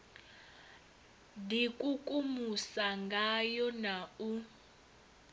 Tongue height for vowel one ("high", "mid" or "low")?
high